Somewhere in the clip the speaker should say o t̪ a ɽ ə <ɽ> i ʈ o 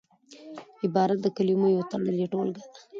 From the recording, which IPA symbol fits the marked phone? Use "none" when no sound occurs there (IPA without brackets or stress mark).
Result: l